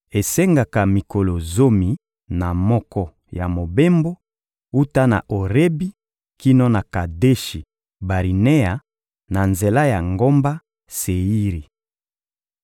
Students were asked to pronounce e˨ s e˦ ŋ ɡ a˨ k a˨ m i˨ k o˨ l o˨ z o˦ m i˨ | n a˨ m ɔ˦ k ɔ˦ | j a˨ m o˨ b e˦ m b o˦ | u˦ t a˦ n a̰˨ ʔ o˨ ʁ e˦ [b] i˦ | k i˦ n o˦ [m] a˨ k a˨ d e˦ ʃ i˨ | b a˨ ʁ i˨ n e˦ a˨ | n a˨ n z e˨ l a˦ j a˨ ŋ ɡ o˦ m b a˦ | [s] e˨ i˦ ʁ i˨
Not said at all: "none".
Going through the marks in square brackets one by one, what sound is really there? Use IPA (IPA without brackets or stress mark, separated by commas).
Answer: b, n, s